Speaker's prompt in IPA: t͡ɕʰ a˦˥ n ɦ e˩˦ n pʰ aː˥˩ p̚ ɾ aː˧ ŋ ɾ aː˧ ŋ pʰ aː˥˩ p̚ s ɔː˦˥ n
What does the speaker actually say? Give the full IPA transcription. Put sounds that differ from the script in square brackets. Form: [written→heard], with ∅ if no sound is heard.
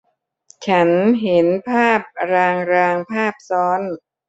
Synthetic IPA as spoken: t͡ɕʰ a˦˥ n ɦ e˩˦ n pʰ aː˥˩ p̚ ɾ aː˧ ŋ ɾ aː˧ ŋ pʰ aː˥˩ p̚ s ɔː˦˥ n